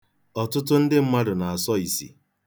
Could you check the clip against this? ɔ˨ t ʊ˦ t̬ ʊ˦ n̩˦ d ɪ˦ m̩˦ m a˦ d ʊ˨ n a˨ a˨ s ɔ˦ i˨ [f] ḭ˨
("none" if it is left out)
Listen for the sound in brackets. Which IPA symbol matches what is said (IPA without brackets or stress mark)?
s